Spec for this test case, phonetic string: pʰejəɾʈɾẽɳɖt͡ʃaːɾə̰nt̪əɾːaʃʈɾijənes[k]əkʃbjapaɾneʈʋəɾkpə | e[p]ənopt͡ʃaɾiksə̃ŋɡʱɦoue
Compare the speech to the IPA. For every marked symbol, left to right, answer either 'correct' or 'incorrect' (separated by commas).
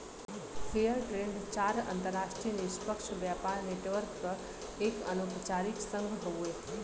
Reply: incorrect, incorrect